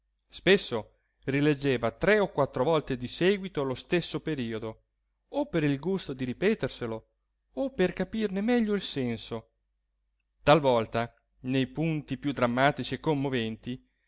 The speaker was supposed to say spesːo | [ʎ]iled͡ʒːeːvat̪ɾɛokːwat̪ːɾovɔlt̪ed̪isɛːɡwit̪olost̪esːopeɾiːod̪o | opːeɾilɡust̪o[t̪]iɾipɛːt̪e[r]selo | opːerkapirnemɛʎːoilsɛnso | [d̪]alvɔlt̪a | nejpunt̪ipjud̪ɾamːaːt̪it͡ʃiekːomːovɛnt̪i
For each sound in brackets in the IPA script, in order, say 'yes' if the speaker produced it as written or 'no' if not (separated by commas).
no, no, yes, no